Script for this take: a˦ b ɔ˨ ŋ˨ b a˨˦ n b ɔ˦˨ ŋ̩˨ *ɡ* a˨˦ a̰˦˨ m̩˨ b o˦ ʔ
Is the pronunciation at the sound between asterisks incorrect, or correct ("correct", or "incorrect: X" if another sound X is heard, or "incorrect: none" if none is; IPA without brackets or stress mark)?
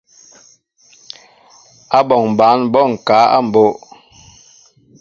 incorrect: k